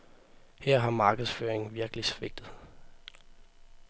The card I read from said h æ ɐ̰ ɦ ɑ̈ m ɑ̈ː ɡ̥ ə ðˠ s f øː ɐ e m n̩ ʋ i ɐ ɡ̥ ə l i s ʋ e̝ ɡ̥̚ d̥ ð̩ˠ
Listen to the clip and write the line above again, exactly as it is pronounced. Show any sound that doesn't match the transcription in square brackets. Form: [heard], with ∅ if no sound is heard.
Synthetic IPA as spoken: h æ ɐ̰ ɦ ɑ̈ m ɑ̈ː ɡ̥ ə ðˠ s f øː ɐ e [ŋ] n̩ ʋ i ɐ ɡ̥ ə l i s ʋ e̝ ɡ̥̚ d̥ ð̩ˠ